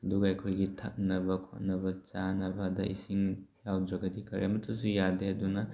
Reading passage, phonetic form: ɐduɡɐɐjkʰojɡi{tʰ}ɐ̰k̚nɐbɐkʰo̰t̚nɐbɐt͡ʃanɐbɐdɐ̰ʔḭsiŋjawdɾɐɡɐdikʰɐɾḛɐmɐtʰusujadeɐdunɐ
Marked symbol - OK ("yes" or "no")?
yes